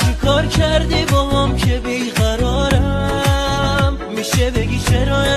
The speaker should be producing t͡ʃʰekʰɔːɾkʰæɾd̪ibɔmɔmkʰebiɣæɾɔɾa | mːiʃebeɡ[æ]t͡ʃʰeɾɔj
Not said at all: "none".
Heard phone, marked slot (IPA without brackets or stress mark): i